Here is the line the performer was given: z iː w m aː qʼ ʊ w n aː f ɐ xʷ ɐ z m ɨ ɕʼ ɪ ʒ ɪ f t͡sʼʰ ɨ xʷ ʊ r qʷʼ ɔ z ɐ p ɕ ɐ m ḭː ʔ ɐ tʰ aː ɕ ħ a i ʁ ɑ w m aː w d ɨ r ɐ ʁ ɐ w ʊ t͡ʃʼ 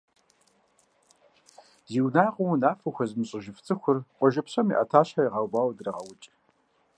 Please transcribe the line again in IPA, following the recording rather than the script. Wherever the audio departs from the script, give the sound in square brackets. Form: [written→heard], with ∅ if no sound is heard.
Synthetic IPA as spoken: z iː w [m→n] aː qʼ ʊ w n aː f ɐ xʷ ɐ z m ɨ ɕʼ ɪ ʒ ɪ f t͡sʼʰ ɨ xʷ ʊ r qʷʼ ɔ [z→ʒ] ɐ p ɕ ɐ m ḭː ʔ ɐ tʰ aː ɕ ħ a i ʁ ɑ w [m→b] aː w d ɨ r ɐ ʁ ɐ w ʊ t͡ʃʼ